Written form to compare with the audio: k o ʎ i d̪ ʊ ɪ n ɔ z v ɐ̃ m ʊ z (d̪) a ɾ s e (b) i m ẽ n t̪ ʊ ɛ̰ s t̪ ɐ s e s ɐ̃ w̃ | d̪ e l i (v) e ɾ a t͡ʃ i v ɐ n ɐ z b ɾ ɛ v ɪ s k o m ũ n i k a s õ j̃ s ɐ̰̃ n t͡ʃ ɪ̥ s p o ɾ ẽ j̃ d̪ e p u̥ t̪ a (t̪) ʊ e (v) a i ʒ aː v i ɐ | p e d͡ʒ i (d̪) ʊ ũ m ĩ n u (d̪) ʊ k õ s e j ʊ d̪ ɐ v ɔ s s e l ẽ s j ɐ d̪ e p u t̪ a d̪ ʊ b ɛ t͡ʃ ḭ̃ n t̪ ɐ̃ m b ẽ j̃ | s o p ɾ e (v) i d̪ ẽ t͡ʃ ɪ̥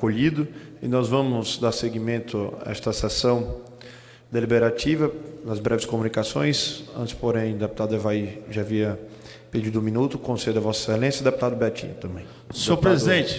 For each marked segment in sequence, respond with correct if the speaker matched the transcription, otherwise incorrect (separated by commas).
correct, incorrect, incorrect, incorrect, correct, correct, incorrect, incorrect